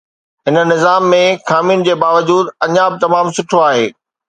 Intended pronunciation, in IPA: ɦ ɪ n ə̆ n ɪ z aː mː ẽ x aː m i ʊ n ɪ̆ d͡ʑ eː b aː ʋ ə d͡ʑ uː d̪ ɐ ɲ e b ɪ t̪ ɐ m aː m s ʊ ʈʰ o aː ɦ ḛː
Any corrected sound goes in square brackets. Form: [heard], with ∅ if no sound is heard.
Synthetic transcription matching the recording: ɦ ɪ n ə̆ n ɪ z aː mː ẽ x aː m i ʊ n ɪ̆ d͡ʑ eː b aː ʋ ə d͡ʑ uː d̪ ɐ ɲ [a] b ɪ t̪ ɐ m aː m s ʊ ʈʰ o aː ɦ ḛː